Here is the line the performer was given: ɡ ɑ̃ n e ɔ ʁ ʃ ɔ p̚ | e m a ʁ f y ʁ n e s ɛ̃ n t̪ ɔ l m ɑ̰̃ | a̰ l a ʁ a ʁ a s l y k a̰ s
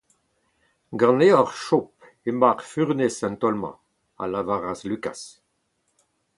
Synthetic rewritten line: ɡ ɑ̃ n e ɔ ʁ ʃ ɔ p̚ | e m a ʁ f y ʁ n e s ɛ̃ n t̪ ɔ l m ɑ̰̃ | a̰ l a v a ʁ a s l y k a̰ s